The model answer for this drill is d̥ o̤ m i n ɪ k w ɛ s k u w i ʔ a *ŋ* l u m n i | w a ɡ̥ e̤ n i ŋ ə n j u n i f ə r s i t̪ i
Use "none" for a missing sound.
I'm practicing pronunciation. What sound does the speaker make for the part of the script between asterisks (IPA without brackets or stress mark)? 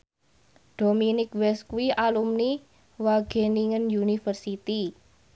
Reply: none